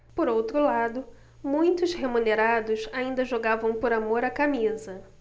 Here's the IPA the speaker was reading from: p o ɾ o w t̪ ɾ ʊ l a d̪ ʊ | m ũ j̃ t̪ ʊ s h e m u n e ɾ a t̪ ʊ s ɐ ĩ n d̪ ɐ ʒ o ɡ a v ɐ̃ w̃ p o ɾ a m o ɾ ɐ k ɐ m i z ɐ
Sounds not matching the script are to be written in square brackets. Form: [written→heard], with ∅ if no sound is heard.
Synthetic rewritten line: p o ɾ o w t̪ ɾ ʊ l a d̪ ʊ | m ũ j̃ t̪ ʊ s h e m u n e ɾ a [t̪→d̪] ʊ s [ɐ→a] ĩ n d̪ ɐ ʒ o ɡ a v ɐ̃ w̃ p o ɾ a m o ɾ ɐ k [ɐ→a] m i z ɐ